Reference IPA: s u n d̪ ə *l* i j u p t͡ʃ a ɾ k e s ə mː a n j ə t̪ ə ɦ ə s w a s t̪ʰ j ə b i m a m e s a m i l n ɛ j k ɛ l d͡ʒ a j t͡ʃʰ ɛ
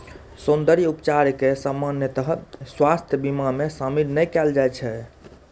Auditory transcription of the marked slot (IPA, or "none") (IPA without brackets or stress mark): ɾ